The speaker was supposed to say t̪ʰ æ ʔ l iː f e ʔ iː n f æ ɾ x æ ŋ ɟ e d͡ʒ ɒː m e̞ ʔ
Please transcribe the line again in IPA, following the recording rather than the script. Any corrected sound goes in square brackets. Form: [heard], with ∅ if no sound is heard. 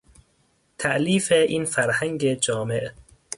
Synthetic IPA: t̪ʰ æ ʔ l iː f e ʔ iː n f æ ɾ [h] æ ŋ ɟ e d͡ʒ ɒː m e̞ ʔ